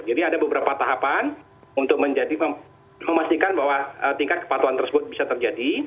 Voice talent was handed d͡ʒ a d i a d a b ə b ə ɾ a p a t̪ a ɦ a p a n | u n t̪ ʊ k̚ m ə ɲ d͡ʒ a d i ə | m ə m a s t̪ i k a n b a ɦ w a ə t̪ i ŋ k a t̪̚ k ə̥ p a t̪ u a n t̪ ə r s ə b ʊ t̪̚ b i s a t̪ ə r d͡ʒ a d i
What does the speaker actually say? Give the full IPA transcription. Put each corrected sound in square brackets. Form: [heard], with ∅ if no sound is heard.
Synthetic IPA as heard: d͡ʒ a d i a d a b ə b ə ɾ a p a t̪ a ɦ a p a n | u n t̪ ʊ k̚ m ə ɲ d͡ʒ a d i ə | m ə m a s t̪ i k a n b a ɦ w a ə t̪ i ŋ k a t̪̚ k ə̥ p a t̪ u a n t̪ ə r s ə b ʊ t̪̚ b i s a t̪ ə r d͡ʒ a d i

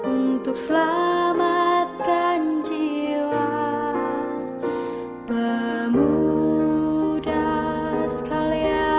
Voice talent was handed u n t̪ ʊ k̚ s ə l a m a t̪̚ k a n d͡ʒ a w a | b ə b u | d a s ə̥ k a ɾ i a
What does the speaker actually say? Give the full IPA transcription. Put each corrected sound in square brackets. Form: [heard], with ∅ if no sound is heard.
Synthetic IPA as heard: u n t̪ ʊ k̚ s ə l a m a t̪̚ k a n d͡ʒ [i] w a | b ə [m] u | d a s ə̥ k a [l] i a

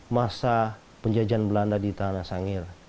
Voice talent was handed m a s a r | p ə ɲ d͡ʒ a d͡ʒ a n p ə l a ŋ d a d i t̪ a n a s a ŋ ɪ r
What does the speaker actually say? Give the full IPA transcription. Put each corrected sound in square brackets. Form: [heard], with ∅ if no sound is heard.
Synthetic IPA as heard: m a s a [∅] | p ə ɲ d͡ʒ a d͡ʒ a n [b] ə l a [n] d a d i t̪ a n a s a ŋ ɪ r

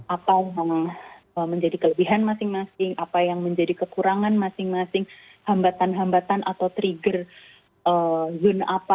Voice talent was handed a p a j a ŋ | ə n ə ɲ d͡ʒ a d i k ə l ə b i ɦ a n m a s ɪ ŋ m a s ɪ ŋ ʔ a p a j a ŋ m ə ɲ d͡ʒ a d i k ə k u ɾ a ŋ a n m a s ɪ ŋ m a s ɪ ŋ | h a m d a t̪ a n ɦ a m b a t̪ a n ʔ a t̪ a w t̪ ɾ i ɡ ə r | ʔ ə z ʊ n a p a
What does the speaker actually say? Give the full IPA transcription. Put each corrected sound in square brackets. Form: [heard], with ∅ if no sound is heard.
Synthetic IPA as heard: a p a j a ŋ | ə [m] ə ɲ d͡ʒ a d i k ə l ə b i ɦ a n m a s ɪ ŋ m a s ɪ ŋ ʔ a p a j a ŋ m ə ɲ d͡ʒ a d i k ə k u ɾ a ŋ a n m a s ɪ ŋ m a s ɪ ŋ | h a m [b] a t̪ a n ɦ a m b a t̪ a n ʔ a t̪ a w t̪ ɾ i ɡ ə r | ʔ ə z ʊ n a p a

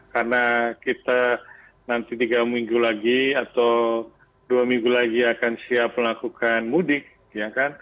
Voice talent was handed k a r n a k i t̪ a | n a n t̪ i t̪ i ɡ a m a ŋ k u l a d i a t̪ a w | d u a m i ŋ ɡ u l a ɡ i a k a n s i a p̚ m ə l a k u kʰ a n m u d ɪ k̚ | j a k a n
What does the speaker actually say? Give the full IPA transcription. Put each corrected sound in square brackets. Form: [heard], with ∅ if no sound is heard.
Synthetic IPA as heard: k a r n a k i t̪ a | n a n t̪ i t̪ i ɡ a m [i] ŋ [ɡ] u l a [ɡ] i a t̪ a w | d u a m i ŋ ɡ u l a ɡ i a k a n s i a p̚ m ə l a k u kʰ a n m u d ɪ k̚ | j a k a n

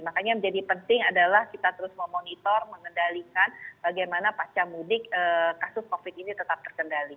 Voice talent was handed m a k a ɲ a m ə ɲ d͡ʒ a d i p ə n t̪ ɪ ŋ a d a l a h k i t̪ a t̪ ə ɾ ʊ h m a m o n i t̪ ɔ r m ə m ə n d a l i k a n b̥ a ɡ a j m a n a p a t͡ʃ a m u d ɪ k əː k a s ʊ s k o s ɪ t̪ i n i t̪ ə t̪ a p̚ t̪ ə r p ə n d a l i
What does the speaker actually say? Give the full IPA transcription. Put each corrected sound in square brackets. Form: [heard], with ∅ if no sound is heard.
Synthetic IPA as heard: m a k a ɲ a m ə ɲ d͡ʒ a d i p ə n t̪ ɪ ŋ a d a l a h k i t̪ a t̪ ə ɾ ʊ [s] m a m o n i t̪ ɔ r m ə [ŋ] ə n d a l i k a n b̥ a ɡ a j m a n a p a t͡ʃ a m u d ɪ k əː k a s ʊ s k o [f] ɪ t̪ i n i t̪ ə t̪ a p̚ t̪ ə r [k] ə n d a l i

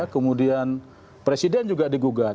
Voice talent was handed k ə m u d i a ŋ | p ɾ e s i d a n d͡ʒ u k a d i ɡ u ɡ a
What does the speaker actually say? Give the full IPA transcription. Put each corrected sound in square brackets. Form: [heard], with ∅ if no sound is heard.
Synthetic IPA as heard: k ə m u d i a [n] | p ɾ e s i d [ɛ] n d͡ʒ u [ɡ] a d i ɡ u ɡ a

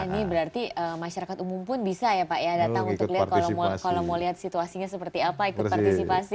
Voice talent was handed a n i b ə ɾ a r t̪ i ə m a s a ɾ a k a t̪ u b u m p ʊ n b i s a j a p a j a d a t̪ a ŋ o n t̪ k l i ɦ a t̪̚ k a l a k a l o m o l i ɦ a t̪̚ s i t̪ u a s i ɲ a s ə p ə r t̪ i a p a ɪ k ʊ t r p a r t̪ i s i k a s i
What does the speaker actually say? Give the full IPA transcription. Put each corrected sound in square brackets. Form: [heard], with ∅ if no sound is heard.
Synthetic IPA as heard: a n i b ə ɾ a r t̪ i ə m a [ʃ] a ɾ a k a t̪ u [m] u m p ʊ n b i s a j a p a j a d a t̪ a ŋ [u] n t̪ k l i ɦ a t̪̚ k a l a k a l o m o l i ɦ a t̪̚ s i t̪ u a s i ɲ a s ə p ə r t̪ i a p a [i] k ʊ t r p a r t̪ i s i [p] a s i

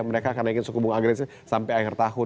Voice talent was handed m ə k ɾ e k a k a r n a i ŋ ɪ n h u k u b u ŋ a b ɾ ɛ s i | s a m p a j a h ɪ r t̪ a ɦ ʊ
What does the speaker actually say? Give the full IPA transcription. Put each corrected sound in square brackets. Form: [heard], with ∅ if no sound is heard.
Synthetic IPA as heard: m ə [∅] ɾ e k a k a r n a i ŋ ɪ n [s] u k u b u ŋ a [ɡ] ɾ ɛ s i | s a m p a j a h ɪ r t̪ a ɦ ʊ

